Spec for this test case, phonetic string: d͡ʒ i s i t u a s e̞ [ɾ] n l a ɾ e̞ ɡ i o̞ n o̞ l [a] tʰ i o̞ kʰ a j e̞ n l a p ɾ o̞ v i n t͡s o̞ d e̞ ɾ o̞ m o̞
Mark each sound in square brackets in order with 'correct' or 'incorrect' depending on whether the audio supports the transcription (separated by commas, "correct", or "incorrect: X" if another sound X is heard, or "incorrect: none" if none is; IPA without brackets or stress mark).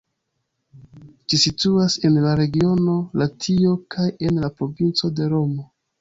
incorrect: none, correct